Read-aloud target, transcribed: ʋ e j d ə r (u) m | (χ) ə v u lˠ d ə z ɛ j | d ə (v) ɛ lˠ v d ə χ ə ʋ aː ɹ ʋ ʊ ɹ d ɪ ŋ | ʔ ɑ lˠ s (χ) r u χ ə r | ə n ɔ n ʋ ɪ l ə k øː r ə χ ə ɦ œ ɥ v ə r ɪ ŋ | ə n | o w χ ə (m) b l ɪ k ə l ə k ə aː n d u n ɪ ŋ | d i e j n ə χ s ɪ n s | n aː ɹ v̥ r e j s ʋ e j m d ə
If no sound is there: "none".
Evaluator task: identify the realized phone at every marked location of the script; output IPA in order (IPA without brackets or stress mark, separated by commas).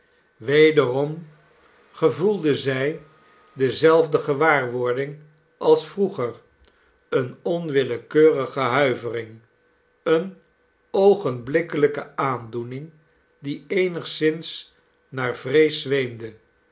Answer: ɔ, χ, z, f, n